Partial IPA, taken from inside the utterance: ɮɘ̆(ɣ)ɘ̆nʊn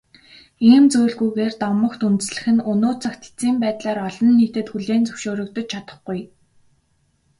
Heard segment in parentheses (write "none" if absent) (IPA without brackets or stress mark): x